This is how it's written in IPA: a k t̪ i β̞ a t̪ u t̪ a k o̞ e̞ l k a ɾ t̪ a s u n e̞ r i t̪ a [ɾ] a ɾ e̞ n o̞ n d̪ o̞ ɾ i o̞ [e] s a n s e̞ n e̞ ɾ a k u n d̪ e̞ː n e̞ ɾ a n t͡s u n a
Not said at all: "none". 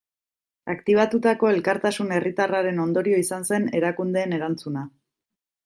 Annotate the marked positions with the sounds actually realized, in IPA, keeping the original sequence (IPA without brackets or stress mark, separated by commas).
r, i